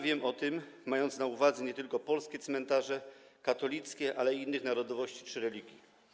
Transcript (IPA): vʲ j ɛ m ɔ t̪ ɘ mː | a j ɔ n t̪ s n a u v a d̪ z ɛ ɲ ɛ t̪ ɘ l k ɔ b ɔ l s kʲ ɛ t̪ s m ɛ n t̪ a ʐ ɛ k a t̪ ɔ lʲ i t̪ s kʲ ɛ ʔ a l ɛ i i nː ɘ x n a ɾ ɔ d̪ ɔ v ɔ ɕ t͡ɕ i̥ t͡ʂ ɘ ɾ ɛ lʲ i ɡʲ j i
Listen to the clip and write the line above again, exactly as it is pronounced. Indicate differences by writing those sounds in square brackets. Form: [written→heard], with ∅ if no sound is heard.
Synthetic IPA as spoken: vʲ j ɛ m ɔ t̪ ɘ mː | a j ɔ n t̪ s n a u v a d̪ z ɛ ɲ ɛ t̪ ɘ l k ɔ [b→p] ɔ l s kʲ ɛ t̪ s m ɛ n t̪ a ʐ ɛ k a t̪ ɔ lʲ i t̪ s kʲ ɛ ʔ a l ɛ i i nː ɘ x n a ɾ ɔ d̪ ɔ v ɔ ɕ t͡ɕ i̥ t͡ʂ ɘ ɾ ɛ lʲ i ɡʲ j i